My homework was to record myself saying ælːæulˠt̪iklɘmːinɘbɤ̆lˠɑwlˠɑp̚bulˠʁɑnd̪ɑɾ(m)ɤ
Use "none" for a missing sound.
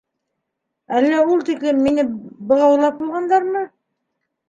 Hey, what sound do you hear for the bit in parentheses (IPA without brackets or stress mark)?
m